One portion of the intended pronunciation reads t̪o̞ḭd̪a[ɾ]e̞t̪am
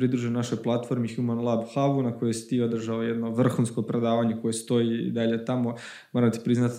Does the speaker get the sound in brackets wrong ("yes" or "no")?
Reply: yes